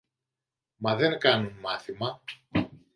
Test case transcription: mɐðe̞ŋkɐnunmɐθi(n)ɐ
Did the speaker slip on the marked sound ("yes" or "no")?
yes